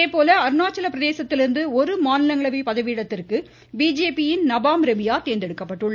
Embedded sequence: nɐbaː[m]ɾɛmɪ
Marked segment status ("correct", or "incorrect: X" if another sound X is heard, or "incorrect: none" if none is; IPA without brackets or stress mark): correct